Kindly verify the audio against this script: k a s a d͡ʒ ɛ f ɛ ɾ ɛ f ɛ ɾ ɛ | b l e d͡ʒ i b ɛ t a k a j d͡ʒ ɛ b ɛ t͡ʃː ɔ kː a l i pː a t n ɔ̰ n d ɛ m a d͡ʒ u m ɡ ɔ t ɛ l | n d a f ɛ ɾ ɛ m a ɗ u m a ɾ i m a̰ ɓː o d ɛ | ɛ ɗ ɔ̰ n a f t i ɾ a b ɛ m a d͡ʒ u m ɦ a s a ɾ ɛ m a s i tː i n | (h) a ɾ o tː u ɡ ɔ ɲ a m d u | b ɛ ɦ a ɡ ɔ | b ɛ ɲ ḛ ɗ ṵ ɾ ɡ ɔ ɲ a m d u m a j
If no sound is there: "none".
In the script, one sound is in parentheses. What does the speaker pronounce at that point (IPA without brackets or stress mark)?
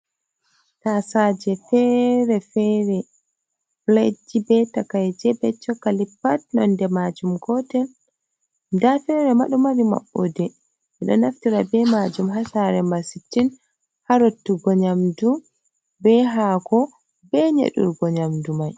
h